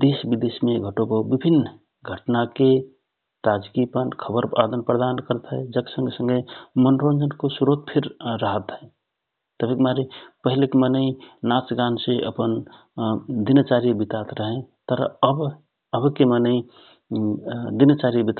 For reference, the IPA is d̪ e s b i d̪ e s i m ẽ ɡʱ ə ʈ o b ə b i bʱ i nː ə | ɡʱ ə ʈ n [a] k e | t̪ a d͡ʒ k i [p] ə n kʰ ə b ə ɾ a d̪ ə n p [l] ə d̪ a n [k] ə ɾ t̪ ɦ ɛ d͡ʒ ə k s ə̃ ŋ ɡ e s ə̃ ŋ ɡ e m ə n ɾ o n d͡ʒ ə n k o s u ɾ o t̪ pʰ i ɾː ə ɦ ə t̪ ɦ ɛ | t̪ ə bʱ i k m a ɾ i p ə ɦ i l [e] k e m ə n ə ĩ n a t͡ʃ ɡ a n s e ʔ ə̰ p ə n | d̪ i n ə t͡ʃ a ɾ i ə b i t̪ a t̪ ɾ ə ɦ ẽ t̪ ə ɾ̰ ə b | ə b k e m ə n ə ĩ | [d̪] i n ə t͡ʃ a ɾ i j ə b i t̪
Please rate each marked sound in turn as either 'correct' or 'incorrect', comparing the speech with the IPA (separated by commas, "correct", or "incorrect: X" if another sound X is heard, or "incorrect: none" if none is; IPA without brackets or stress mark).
correct, correct, incorrect: ɾ, correct, correct, correct